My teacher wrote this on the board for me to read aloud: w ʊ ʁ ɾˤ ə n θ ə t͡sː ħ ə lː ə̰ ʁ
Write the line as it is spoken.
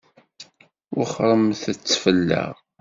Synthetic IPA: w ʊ χ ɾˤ ə m θ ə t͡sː f ə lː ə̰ ʁ